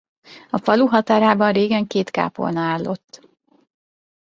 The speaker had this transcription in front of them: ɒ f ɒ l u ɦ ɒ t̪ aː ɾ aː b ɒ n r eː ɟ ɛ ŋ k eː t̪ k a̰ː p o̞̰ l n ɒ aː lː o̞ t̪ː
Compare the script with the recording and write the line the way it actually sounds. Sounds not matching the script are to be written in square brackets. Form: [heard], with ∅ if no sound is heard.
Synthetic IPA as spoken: ɒ f ɒ l u ɦ ɒ t̪ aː ɾ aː b ɒ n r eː [ɡ] ɛ ŋ k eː t̪ k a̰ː p o̞̰ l n ɒ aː lː o̞ t̪ː